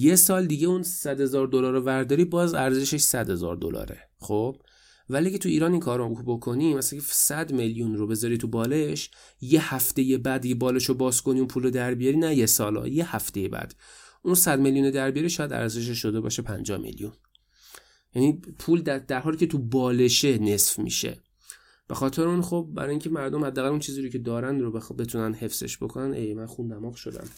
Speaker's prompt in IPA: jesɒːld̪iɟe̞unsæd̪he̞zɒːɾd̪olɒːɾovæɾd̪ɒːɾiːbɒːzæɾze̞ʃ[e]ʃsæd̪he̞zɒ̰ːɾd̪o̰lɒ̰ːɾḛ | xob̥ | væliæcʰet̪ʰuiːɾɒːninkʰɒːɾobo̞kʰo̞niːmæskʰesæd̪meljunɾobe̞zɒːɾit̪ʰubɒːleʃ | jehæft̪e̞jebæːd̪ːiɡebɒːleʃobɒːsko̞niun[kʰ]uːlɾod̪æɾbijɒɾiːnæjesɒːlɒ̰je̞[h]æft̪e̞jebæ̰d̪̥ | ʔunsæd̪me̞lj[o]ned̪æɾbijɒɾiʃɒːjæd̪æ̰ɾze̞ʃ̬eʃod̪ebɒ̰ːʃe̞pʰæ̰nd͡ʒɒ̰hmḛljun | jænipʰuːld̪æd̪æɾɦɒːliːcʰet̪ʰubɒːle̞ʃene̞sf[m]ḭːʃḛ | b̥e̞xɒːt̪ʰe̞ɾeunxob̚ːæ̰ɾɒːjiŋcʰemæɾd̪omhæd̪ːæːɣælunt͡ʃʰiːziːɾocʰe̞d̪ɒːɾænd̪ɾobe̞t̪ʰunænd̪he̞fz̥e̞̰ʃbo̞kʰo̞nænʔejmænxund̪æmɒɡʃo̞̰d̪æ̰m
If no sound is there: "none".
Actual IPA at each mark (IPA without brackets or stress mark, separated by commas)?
e, pʰ, h, u, m